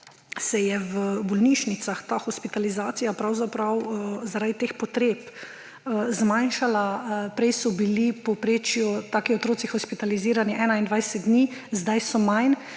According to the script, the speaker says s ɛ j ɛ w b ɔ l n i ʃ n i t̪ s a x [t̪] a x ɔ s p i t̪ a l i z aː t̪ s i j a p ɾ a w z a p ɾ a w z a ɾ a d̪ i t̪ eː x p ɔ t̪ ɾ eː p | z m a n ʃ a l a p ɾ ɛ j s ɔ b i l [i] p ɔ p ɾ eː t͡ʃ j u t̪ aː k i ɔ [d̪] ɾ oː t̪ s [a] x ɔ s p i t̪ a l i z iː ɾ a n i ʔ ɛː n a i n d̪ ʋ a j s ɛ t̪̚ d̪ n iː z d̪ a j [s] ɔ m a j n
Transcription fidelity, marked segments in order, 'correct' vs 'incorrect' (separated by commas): correct, correct, incorrect, incorrect, correct